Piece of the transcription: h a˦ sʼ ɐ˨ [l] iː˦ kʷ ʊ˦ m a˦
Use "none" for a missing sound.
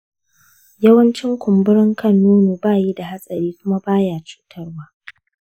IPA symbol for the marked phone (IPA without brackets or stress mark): ɾ